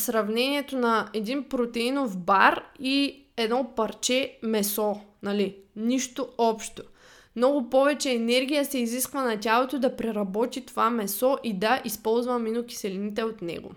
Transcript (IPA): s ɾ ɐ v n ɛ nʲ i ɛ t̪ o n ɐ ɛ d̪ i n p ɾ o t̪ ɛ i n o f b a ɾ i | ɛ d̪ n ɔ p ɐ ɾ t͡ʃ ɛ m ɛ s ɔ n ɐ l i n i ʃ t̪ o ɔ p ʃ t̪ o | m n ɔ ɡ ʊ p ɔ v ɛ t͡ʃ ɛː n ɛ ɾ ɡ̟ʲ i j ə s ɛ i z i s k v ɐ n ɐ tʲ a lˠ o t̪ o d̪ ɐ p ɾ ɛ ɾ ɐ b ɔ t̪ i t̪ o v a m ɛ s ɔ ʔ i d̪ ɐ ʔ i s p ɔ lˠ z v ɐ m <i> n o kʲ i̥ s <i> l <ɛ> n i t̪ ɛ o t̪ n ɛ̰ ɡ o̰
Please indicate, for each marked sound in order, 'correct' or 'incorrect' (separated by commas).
correct, incorrect, incorrect